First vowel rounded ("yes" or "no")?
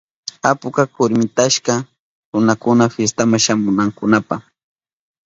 no